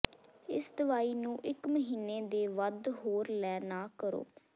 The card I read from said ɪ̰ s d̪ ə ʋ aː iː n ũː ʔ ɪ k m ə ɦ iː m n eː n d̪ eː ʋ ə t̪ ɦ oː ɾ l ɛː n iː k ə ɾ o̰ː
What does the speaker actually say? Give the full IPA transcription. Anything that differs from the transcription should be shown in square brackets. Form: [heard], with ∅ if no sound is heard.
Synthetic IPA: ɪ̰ s d̪ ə ʋ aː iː n ũː ʔ ɪ k m ə ɦ iː [∅] n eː [∅] d̪ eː ʋ ə [d̪] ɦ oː ɾ l ɛː n [aː] k ə ɾ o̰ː

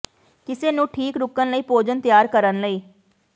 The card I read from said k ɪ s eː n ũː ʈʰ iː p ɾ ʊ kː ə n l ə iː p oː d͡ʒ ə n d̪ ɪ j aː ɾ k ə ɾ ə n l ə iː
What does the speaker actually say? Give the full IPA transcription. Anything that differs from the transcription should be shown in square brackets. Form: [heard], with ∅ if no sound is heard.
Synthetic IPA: k ɪ s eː n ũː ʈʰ iː [k] ɾ ʊ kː ə n l ə iː p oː d͡ʒ ə n [t̪] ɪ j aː ɾ k ə ɾ ə n l ə iː

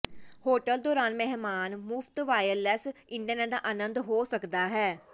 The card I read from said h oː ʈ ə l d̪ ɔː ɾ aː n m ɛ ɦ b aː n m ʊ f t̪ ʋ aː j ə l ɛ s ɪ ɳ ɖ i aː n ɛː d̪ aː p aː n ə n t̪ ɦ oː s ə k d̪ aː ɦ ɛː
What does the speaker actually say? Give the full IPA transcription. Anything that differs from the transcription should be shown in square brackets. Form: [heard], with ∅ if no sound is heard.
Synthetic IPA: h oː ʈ ə l d̪ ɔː ɾ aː n m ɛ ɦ [m] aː n m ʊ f t̪ ʋ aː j ə l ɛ s ɪ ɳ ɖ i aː n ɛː d̪ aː [ʔ] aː n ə n [d̪] ɦ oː s ə k d̪ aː ɦ ɛː

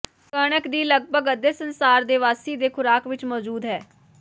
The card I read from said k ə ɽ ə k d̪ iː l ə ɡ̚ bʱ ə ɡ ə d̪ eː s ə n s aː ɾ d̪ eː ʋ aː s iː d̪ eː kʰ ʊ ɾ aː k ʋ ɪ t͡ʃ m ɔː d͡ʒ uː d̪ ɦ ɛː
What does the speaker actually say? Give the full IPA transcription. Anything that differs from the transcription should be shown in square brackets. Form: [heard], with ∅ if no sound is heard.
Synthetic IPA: k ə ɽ ə k d̪ iː l ə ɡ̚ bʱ ə ɡ ə d̪ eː s ə n s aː ɾ d̪ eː ʋ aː s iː d̪ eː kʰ ʊ ɾ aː k ʋ ɪ t͡ʃ m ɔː d͡ʒ uː d̪ ɦ ɛː

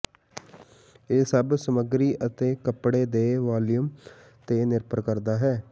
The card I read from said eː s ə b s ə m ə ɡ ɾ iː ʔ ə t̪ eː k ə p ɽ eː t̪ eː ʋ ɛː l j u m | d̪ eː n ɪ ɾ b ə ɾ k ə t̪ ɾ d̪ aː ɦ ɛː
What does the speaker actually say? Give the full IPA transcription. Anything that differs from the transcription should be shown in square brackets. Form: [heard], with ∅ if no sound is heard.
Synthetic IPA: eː s ə b s ə m ə ɡ ɾ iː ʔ ə t̪ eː k ə p ɽ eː [d̪] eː ʋ [aː] l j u m | [t̪] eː n ɪ ɾ [p] ə ɾ k ə [∅] ɾ d̪ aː ɦ ɛː

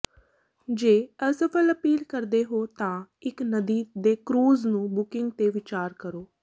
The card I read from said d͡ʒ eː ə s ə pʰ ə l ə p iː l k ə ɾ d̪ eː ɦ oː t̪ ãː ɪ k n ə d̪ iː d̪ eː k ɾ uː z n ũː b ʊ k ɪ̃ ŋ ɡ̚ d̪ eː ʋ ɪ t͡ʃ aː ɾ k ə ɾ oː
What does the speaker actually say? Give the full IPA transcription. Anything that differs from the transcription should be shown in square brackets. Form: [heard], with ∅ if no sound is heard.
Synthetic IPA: d͡ʒ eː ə s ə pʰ ə l ə p iː l k ə ɾ d̪ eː ɦ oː t̪ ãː ɪ k n ə d̪ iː d̪ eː k ɾ uː z n ũː b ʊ k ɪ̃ ŋ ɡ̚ [t̪] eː ʋ ɪ t͡ʃ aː ɾ k ə ɾ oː

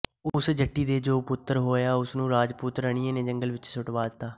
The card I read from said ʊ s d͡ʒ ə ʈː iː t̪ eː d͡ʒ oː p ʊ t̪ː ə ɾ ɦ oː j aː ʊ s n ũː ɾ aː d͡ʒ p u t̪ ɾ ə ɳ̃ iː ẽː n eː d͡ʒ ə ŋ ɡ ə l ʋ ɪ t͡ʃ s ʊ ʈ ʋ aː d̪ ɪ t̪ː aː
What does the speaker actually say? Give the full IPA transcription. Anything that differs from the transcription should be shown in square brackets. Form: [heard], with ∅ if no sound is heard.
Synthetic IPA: ʊ s d͡ʒ ə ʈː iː [d̪] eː d͡ʒ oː p ʊ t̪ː ə ɾ ɦ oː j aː ʊ s n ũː ɾ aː d͡ʒ p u t̪ ɾ ə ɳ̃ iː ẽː n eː d͡ʒ ə ŋ ɡ ə l ʋ ɪ t͡ʃ s ʊ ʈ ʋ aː d̪ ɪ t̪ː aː

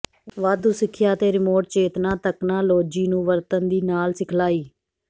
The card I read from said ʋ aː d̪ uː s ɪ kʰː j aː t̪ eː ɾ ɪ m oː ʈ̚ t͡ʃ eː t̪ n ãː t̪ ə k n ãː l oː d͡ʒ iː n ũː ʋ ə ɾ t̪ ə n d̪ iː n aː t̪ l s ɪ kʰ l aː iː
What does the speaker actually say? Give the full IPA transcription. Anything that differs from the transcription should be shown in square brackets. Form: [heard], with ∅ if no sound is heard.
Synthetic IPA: ʋ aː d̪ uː s ɪ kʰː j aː t̪ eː ɾ ɪ m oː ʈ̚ t͡ʃ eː t̪ n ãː t̪ ə k n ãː l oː d͡ʒ iː n ũː ʋ ə ɾ t̪ ə n d̪ iː n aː [∅] l s ɪ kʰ l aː iː

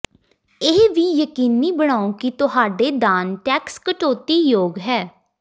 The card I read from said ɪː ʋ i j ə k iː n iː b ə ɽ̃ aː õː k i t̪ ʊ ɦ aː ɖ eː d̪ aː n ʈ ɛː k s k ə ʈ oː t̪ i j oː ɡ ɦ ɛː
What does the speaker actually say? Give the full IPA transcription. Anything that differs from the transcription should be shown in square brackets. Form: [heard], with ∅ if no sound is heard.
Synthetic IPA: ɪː ʋ [iː] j ə k iː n iː b ə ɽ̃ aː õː k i t̪ ʊ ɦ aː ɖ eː d̪ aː n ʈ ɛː k s k ə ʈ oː t̪ [iː] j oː ɡ ɦ ɛː

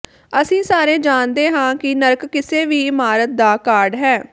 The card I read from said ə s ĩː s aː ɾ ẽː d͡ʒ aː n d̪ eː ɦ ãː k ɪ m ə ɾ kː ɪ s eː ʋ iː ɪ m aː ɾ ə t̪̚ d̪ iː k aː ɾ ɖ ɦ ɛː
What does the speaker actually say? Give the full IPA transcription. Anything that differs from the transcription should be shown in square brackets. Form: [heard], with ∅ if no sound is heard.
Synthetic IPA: ə s ĩː s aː ɾ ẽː d͡ʒ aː n d̪ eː ɦ ãː k ɪ [n] ə ɾ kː ɪ s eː ʋ iː ɪ m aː ɾ ə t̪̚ d̪ [aː] k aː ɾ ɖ ɦ ɛː

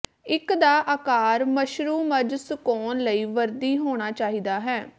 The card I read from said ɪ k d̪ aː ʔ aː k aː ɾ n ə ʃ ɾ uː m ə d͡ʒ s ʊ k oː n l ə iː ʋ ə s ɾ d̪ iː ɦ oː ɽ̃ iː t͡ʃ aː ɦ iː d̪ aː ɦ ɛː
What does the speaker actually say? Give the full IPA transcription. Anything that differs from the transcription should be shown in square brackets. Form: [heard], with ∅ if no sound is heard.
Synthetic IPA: ɪ k d̪ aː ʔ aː k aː ɾ [m] ə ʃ ɾ uː m ə d͡ʒ s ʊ k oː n l ə iː ʋ ə [∅] ɾ d̪ iː ɦ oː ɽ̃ [aː] t͡ʃ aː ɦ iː d̪ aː ɦ ɛː

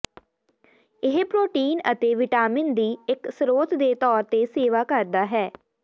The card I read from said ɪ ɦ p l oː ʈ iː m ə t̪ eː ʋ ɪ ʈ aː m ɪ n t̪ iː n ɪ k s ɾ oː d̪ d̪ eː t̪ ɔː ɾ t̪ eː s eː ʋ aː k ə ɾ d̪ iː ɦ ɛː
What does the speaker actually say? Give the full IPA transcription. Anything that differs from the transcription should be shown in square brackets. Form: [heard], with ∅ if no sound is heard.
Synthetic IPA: ɪ ɦ p [ɾ] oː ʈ iː [n] ə t̪ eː ʋ ɪ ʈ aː m ɪ n [d̪] iː [∅] ɪ k s ɾ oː [t̪] d̪ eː t̪ ɔː ɾ t̪ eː s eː ʋ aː k ə ɾ d̪ [aː] ɦ ɛː

